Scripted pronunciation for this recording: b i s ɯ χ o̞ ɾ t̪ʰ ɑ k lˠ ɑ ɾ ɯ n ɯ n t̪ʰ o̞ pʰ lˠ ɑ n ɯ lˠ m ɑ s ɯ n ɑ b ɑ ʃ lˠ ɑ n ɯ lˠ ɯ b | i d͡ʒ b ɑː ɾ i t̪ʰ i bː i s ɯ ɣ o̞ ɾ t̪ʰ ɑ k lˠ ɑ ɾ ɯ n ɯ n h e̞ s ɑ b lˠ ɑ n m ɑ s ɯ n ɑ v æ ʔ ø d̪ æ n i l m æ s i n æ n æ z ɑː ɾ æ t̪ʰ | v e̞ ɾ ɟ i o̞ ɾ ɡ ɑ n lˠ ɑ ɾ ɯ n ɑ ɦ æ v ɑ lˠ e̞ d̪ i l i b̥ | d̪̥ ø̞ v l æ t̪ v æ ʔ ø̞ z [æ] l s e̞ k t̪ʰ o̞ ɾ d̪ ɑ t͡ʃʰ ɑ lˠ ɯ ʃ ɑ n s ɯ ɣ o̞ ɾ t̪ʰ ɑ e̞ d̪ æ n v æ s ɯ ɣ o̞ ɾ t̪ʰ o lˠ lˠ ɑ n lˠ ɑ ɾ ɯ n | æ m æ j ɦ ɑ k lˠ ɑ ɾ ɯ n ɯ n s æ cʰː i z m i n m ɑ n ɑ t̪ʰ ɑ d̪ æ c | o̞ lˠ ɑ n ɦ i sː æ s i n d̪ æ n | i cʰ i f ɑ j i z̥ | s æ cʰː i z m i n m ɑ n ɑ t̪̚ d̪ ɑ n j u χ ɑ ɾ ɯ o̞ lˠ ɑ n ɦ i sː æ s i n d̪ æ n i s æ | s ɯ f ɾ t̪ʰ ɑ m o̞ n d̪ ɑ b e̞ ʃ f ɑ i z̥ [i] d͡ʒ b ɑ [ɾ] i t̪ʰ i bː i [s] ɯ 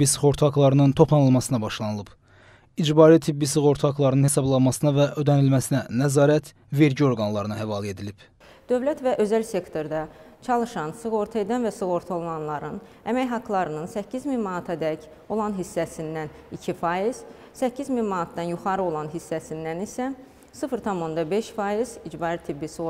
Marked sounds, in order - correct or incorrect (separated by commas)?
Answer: correct, correct, correct, correct